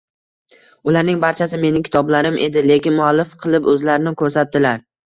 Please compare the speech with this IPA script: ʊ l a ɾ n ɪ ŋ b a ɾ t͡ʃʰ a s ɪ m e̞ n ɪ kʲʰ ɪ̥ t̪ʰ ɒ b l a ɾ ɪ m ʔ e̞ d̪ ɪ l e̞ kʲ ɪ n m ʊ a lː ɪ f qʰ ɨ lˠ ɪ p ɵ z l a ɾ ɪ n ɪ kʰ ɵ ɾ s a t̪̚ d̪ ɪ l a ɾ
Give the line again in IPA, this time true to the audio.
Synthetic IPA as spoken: ʊ l a ɾ n ɪ ŋ b a ɾ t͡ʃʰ a s ɪ m e̞ n ɪ kʲʰ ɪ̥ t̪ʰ ɒ b l a ɾ ɪ m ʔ e̞ d̪ ɪ l e̞ kʲ ɪ n m ʊ a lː ɪ f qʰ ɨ lˠ ɪ p ɵ z l a ɾ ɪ n ɪ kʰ ɵ ɾ s a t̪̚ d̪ ɪ l a ɾ